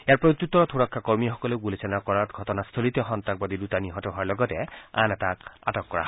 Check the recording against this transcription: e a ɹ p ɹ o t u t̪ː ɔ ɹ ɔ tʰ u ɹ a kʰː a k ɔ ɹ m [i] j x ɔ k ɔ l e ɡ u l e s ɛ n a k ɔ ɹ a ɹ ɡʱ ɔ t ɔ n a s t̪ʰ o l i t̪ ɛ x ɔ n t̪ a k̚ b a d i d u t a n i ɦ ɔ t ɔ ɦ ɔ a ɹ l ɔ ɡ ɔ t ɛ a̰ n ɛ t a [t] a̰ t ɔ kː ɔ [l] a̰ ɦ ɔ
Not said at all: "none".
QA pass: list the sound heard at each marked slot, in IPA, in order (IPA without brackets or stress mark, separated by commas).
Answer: i, k, ɹ